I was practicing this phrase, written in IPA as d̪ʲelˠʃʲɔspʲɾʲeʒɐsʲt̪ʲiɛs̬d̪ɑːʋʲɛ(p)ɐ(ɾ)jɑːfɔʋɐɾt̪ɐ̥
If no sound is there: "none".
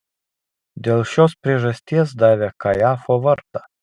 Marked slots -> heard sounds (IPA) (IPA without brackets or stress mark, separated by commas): k, none